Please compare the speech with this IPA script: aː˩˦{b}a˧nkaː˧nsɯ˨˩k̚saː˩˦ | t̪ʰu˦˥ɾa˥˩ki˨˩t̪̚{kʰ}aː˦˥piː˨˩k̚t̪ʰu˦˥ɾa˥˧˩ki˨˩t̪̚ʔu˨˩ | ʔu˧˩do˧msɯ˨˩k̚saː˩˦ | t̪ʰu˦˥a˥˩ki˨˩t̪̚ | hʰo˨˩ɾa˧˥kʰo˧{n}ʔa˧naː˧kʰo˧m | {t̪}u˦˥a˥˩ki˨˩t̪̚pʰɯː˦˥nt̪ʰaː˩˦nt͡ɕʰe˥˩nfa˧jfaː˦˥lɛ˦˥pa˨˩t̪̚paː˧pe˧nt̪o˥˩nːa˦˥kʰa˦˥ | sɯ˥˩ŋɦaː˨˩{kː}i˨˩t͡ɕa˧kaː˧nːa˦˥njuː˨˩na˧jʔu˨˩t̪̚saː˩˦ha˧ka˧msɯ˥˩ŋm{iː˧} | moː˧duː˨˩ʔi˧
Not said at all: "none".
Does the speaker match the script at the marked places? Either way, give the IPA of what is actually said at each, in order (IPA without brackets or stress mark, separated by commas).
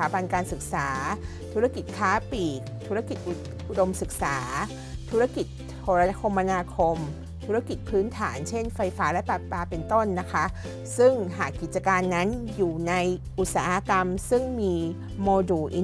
b, kʰ, m, t̪ʰ, kː, iː˧